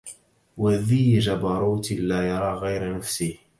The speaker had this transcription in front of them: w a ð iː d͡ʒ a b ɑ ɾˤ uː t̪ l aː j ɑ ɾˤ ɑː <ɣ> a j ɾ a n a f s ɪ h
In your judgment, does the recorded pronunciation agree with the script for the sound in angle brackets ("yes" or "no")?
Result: yes